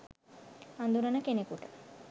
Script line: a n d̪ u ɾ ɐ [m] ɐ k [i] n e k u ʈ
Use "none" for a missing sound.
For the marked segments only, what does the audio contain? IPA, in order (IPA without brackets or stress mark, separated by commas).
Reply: n, e